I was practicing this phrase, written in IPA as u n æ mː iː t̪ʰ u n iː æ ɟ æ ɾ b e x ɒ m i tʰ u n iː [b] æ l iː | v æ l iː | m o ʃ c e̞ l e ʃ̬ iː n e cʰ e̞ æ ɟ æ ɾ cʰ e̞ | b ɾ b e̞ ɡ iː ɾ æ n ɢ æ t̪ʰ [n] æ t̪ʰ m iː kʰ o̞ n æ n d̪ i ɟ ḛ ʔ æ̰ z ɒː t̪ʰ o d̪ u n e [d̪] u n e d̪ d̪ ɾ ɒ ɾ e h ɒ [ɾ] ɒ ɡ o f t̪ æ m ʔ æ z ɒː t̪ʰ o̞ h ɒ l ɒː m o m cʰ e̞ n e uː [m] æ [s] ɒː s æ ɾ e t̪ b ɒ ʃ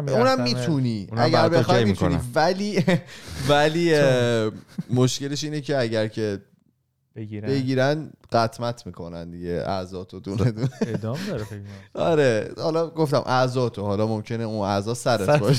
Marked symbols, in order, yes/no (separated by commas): no, no, yes, no, no, no